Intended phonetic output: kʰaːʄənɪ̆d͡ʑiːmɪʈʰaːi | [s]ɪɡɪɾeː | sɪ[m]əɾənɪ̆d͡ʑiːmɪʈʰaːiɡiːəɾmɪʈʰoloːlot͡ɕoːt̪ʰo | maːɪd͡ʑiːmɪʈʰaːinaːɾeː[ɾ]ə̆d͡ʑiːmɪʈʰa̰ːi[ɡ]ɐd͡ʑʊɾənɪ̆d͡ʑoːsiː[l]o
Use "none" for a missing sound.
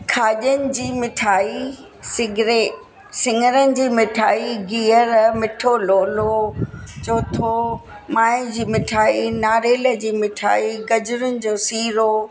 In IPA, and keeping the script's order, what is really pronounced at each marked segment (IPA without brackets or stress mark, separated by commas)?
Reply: s, ŋ, l, ɡ, ɾ